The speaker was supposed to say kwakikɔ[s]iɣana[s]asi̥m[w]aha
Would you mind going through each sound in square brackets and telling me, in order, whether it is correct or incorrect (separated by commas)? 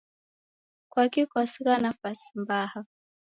correct, incorrect, incorrect